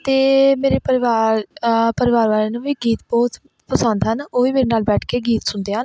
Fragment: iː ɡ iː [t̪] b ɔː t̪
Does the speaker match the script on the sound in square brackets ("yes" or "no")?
yes